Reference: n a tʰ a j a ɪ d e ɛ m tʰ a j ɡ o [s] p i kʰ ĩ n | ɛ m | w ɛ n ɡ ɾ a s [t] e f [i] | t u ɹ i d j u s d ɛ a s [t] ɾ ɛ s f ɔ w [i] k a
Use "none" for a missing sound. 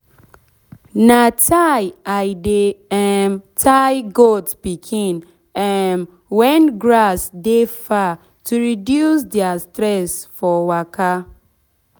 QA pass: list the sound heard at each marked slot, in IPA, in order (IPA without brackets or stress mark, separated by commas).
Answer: t, d, a, t, a